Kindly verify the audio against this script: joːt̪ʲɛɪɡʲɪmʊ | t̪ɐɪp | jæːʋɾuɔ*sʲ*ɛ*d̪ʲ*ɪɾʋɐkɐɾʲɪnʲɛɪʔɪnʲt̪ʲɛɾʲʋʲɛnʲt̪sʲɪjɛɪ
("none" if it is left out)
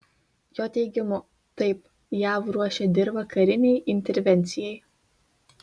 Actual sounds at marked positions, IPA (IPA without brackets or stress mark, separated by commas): ʃʲ, d̪ʲ